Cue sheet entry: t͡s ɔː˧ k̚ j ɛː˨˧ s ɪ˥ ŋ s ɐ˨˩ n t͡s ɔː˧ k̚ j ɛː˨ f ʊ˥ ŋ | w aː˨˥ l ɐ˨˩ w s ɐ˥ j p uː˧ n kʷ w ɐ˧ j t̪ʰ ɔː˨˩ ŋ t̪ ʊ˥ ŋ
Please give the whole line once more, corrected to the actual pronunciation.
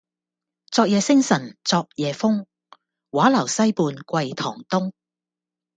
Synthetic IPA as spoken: t͡s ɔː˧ k̚ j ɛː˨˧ s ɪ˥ ŋ s ɐ˨˩ n t͡s ɔː˧ k̚ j ɛː˨ f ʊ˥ ŋ | w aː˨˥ l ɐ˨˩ w s ɐ˥ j p uː˧ n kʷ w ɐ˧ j t̪ʰ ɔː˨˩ ŋ t̪ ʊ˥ ŋ